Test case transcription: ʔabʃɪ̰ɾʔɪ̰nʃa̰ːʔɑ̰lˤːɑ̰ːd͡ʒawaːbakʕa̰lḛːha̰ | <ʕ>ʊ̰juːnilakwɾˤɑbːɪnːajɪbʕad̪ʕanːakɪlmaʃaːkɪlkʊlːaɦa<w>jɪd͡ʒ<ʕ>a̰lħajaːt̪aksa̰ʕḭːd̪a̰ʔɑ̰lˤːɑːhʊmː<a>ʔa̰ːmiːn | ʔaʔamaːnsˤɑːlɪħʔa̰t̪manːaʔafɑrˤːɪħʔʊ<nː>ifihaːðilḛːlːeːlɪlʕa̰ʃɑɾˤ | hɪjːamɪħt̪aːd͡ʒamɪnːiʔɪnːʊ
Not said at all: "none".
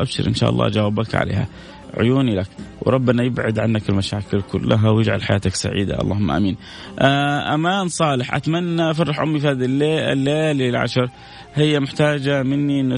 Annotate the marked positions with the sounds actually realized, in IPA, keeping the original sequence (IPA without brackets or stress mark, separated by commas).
ʕ, w, ʕ, a, mː